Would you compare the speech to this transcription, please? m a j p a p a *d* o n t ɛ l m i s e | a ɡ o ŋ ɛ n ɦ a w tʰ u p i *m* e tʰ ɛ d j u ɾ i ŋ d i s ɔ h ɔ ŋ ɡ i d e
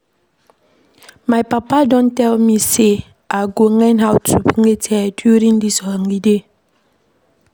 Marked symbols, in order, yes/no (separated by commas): yes, no